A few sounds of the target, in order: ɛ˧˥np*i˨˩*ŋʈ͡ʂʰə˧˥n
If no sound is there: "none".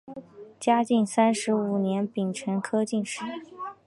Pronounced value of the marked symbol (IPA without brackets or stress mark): i˨˩